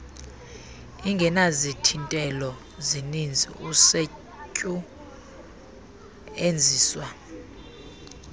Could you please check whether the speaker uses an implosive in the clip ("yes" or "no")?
no